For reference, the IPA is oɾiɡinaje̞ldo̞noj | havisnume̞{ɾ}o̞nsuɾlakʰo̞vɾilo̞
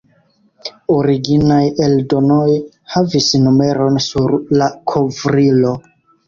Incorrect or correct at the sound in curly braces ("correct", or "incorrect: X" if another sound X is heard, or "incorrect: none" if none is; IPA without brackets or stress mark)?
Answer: correct